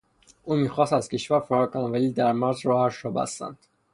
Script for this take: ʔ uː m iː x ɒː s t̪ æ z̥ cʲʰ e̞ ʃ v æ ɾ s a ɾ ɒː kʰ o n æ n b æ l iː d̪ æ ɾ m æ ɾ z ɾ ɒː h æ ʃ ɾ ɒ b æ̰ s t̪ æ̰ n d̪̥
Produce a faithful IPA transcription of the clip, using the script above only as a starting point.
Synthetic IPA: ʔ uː m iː x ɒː s t̪ æ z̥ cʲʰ e̞ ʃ v æ ɾ f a ɾ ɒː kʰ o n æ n v æ l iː d̪ æ ɾ m æ ɾ z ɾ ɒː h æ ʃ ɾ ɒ b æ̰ s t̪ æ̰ n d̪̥